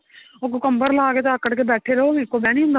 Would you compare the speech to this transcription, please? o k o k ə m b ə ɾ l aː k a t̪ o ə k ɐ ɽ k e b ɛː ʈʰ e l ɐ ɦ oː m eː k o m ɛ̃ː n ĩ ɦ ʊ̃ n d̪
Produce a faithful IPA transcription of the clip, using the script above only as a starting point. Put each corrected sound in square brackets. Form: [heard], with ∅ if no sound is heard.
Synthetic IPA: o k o k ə m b ə ɾ l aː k [e] t̪ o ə k [ə] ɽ k e b ɛː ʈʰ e [ɾ] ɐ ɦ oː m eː k o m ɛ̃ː n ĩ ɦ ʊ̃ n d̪